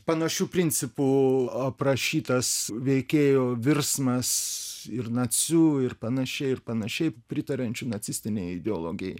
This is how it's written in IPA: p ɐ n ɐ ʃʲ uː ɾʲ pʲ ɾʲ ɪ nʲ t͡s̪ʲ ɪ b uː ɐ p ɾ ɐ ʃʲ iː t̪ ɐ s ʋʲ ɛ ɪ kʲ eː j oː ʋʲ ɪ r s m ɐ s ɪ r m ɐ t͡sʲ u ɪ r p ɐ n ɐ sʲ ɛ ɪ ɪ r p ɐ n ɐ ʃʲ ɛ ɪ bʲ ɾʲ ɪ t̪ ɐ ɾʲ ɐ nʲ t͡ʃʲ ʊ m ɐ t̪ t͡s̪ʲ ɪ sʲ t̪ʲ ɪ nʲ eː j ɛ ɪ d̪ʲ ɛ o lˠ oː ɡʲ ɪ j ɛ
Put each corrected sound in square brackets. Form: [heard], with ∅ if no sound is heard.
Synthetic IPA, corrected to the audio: p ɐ n ɐ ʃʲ uː [∅] pʲ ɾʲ ɪ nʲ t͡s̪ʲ ɪ [p] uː ɐ p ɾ ɐ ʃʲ iː t̪ ɐ s ʋʲ ɛ ɪ kʲ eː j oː ʋʲ ɪ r s m ɐ s ɪ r [n] ɐ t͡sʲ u ɪ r p ɐ n ɐ [ʃʲ] ɛ ɪ ɪ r p ɐ n ɐ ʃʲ ɛ ɪ [pʲ] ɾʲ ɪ t̪ ɐ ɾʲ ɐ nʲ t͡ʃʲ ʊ [n] ɐ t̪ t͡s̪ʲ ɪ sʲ t̪ʲ ɪ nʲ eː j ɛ ɪ d̪ʲ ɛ o lˠ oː ɡʲ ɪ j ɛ